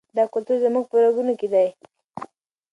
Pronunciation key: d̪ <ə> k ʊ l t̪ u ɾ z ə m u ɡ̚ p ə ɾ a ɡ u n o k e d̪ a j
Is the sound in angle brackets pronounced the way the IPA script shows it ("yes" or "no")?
no